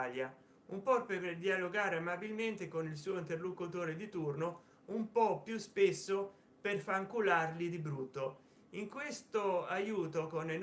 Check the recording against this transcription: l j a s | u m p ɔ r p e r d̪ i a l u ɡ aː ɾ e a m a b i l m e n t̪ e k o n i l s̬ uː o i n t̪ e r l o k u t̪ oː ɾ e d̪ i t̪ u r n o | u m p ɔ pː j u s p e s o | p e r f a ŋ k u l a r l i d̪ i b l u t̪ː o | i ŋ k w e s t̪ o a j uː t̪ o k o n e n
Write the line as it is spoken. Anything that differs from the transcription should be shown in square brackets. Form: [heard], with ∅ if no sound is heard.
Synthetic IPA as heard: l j a [∅] | u m p ɔ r p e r d̪ i a l [o] ɡ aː ɾ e a m a b i l m e n t̪ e k o n i l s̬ uː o i n t̪ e r l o k u t̪ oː ɾ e d̪ i t̪ u r n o | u m p ɔ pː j u s p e [sː] o | p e r f a ŋ k u l a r l i d̪ i b [ɾ] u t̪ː o | i ŋ k w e s t̪ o a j uː t̪ o k o n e n